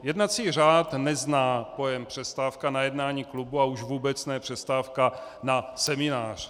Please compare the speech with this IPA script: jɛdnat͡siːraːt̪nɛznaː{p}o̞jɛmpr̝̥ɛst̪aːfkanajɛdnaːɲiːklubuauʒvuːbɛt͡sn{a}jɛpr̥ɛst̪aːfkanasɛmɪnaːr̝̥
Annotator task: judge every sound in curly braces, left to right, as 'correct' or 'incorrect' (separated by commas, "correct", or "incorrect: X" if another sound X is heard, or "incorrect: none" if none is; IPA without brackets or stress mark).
correct, incorrect: ɛ